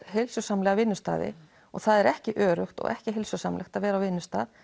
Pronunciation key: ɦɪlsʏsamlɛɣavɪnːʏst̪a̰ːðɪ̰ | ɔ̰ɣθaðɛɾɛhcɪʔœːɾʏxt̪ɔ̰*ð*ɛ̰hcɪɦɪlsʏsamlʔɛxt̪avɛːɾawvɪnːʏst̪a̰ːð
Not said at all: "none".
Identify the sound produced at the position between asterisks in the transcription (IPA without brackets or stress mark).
ɣ